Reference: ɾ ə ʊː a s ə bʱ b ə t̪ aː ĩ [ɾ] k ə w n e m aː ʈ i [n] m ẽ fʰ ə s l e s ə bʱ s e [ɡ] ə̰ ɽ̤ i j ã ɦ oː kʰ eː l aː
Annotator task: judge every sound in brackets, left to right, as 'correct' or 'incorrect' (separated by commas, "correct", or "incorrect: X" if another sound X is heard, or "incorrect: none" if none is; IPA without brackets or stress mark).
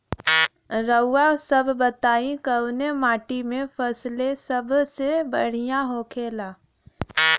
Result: incorrect: none, incorrect: none, incorrect: b